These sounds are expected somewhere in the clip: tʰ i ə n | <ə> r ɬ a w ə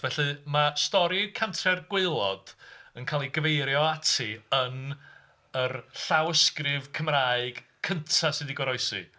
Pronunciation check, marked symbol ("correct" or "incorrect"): correct